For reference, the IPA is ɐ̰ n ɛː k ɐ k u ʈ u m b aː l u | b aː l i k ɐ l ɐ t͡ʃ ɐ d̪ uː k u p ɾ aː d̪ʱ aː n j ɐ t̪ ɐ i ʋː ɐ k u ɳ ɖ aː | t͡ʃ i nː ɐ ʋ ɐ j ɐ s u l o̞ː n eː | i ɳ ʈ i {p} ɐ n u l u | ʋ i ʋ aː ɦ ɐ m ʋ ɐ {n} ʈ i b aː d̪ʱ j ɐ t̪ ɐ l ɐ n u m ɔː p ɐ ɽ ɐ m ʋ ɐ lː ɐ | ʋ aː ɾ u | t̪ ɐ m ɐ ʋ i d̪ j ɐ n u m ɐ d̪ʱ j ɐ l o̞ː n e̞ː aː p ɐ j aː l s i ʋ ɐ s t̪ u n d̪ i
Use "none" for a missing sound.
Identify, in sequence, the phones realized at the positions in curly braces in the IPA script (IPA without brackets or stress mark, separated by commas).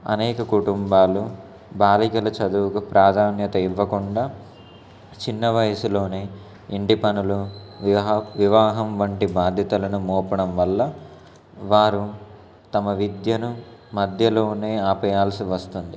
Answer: p, ɳ